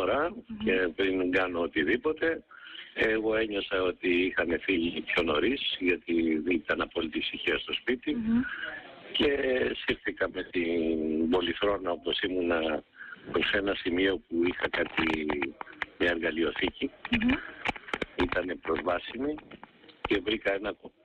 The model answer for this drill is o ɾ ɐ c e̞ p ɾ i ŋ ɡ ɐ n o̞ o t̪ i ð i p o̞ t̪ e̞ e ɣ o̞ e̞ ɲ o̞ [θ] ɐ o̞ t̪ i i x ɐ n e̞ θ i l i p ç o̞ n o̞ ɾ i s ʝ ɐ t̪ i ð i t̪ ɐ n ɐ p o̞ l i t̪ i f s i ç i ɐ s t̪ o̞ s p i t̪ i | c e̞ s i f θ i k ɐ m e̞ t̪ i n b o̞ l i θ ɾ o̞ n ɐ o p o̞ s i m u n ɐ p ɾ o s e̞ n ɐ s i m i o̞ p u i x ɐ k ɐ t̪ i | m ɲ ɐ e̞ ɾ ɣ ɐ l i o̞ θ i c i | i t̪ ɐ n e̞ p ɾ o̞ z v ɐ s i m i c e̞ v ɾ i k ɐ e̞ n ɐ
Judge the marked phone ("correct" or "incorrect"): incorrect